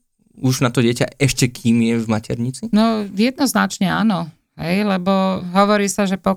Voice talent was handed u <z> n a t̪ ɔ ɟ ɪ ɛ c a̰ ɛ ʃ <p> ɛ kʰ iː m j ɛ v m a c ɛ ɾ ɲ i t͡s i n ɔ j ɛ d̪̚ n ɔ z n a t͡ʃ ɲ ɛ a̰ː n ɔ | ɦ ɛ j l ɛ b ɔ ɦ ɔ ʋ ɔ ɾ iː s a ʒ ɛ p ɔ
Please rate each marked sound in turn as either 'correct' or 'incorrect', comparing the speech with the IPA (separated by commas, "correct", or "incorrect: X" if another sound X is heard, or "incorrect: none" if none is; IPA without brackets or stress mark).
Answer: incorrect: ʒ, incorrect: c